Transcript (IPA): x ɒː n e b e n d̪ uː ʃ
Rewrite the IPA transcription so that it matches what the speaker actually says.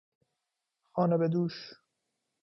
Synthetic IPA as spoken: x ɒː n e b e d̪ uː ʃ